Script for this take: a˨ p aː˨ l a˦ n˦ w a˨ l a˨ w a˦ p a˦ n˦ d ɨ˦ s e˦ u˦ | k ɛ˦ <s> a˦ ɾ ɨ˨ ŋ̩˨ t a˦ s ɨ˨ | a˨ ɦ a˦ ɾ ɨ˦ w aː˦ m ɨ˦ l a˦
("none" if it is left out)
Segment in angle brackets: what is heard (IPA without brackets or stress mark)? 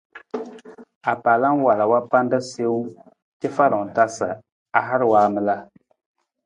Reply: f